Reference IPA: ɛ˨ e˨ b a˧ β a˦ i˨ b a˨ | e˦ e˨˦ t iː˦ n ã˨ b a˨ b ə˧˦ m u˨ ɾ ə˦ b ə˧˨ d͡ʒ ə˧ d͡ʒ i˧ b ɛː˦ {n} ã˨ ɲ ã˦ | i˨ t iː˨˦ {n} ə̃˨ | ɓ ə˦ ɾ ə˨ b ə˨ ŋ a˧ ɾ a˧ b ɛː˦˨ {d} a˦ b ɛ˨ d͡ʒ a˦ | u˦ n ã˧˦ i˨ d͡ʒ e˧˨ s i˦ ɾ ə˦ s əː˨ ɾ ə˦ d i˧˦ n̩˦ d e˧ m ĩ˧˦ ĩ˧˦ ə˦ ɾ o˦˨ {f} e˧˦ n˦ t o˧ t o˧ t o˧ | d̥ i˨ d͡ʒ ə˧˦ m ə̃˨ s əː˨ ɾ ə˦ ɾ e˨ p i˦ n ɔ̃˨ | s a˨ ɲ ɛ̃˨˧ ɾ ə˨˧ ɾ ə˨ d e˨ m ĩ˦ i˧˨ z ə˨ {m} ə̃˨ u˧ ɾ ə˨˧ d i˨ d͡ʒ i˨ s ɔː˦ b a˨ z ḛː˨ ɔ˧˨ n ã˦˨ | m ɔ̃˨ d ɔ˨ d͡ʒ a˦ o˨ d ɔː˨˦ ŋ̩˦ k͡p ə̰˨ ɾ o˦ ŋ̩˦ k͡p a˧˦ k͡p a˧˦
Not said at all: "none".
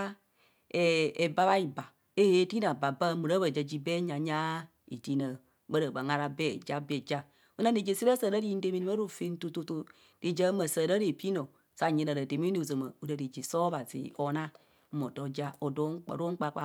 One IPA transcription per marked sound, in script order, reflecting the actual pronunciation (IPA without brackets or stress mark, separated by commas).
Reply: ɲ, n, d͡ʒ, f, m